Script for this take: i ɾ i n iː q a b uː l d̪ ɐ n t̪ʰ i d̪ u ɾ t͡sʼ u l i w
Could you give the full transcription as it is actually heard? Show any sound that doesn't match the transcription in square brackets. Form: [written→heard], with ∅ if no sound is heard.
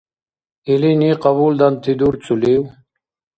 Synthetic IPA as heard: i [ɾ→l] i n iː q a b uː l d̪ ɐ n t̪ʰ i d̪ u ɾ [t͡sʼ→t͡s] u l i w

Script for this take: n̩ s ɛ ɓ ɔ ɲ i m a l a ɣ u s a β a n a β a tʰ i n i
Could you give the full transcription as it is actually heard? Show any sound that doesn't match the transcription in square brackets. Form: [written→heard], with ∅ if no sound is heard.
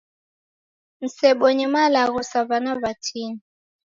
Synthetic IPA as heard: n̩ s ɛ ɓ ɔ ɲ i m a l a ɣ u s a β a n a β a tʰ i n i

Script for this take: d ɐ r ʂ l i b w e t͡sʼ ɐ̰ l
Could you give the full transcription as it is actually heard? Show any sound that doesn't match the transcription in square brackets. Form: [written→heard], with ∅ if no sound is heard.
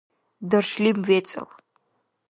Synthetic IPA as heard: d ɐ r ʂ l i [b→m] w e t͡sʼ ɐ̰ l

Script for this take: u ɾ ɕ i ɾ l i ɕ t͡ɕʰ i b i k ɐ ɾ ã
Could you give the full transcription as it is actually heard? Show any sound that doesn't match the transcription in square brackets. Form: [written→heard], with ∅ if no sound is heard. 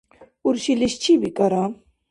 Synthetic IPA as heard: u ɾ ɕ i [ɾ→∅] l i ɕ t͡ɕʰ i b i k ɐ ɾ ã

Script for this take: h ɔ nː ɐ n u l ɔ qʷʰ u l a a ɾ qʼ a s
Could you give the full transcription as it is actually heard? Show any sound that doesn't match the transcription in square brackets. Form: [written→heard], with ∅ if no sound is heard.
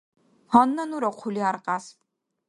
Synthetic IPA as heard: h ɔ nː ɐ n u [l→ɾ] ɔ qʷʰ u l [a→i] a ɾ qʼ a s

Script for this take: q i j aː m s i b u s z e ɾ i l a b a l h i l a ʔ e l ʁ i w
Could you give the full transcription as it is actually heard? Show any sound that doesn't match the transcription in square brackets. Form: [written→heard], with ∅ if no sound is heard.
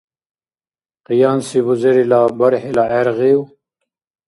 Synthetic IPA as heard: q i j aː [m→n] s i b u [s→∅] z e ɾ i l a b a [l→ɾ] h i l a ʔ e [l→ɾ] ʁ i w

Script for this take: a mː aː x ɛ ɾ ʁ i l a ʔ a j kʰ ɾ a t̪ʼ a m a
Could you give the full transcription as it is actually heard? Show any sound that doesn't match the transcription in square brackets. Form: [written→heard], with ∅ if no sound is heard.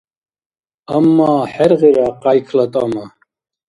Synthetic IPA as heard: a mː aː [x→ħ] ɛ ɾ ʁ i [l→ɾ] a [ʔ→q] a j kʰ [ɾ→l] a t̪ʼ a m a

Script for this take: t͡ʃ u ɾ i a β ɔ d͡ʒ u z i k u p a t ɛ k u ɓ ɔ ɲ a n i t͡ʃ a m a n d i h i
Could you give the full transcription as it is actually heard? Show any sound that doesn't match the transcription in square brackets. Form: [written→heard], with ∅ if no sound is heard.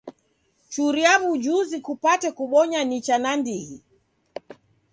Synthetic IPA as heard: t͡ʃ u ɾ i a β [ɔ→u] d͡ʒ u z i k u p a t ɛ k u ɓ ɔ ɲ a n i t͡ʃ a [m→n] a n d i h i

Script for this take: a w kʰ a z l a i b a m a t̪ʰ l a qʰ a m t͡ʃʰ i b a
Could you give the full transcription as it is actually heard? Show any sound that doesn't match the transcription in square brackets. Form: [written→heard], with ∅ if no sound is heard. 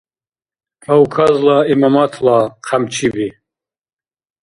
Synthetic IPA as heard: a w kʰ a z l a i [b→m] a m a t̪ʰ l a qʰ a m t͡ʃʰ i b [a→i]

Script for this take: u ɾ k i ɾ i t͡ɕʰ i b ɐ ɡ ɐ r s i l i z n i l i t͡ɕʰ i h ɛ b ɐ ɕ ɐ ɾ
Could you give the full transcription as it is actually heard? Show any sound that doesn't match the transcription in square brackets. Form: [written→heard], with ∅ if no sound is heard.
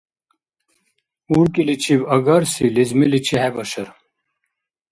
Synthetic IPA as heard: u ɾ k i [ɾ→l] i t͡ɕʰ i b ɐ ɡ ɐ [r→ɾ] s i l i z [n→m] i l i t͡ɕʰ i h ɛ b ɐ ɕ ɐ ɾ

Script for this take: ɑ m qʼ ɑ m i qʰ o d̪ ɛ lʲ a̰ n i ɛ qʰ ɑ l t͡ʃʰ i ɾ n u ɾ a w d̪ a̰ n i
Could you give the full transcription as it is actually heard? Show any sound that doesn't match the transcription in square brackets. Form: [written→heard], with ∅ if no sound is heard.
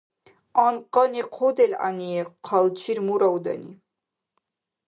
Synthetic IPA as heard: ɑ [m→n] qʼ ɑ [m→n] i qʰ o d̪ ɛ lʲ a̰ n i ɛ qʰ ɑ l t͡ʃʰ i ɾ [n→m] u ɾ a w d̪ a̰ n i

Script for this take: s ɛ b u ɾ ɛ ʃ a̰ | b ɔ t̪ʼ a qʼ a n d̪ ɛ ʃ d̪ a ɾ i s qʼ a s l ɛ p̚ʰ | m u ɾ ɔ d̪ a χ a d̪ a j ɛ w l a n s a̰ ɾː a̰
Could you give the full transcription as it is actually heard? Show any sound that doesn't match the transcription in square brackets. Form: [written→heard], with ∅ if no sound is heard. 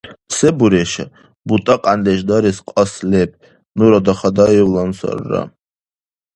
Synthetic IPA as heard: s ɛ b u ɾ ɛ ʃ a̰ | b [ɔ→u] t̪ʼ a qʼ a n d̪ ɛ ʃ d̪ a ɾ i s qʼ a s l ɛ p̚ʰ | [m→n] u ɾ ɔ d̪ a χ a d̪ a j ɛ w l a n s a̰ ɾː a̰

